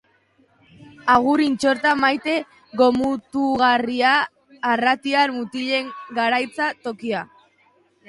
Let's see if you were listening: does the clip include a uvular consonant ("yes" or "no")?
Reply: no